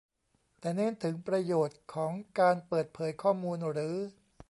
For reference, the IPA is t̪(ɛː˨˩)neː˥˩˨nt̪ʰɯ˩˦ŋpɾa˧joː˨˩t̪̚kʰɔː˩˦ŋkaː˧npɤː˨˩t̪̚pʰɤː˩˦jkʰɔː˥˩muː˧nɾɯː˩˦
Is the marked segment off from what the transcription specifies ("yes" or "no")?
no